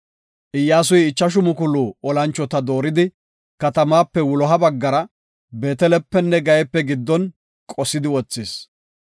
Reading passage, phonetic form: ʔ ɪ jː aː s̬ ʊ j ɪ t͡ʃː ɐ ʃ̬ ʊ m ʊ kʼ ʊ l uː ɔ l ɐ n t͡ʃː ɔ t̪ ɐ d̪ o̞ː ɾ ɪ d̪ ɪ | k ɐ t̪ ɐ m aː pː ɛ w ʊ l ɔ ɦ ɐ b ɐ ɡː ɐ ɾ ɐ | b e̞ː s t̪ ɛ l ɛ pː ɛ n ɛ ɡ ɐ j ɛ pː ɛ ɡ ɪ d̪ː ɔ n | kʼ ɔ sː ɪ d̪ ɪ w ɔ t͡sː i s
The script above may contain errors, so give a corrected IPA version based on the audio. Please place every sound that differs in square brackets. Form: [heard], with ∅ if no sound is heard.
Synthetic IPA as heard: ʔ ɪ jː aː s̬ ʊ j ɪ t͡ʃː ɐ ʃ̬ ʊ m ʊ [k] ʊ l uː ɔ l ɐ n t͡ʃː ɔ t̪ ɐ d̪ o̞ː ɾ ɪ d̪ ɪ | k ɐ t̪ ɐ m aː pː ɛ w ʊ l ɔ ɦ ɐ b ɐ ɡː ɐ ɾ ɐ | b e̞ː [∅] t̪ ɛ l ɛ pː ɛ [nː] ɛ ɡ ɐ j ɛ pː ɛ ɡ ɪ d̪ː ɔ n | kʼ ɔ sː ɪ d̪ ɪ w ɔ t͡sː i s